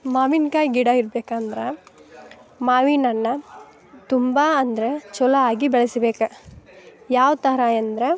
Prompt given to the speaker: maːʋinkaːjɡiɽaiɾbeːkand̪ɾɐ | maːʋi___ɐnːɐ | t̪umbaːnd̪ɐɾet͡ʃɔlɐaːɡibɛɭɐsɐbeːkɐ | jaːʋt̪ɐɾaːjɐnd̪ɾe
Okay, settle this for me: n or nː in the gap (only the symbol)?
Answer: n